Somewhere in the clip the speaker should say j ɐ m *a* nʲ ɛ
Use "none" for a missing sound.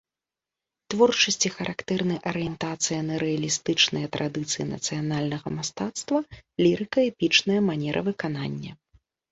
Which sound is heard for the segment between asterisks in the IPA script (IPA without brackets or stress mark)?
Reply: a